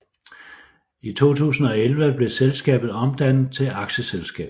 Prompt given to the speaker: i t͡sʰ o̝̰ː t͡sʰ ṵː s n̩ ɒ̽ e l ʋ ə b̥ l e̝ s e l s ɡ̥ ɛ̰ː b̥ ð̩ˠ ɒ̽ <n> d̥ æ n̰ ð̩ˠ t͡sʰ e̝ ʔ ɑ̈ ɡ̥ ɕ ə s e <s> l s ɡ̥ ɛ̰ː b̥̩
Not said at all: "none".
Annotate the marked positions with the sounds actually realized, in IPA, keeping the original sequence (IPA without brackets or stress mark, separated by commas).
m, none